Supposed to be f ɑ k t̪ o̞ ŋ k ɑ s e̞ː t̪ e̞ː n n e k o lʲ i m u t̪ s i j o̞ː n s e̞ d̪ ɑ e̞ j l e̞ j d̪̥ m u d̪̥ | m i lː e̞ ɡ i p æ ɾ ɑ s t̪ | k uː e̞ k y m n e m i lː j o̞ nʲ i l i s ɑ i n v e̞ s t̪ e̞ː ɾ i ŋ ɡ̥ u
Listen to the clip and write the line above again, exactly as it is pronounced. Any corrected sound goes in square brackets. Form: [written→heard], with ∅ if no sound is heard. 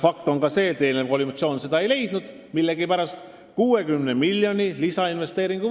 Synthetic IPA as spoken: f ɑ k t̪ o̞ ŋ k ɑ s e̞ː t̪ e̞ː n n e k o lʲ i m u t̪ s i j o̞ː n s e̞ d̪ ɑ e̞ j l e̞ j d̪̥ [m→n] u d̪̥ | m i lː e̞ ɡ i p æ ɾ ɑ s t̪ | k uː e̞ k y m n e m i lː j o̞ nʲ i l i s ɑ i n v e̞ s t̪ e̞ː ɾ i ŋ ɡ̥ u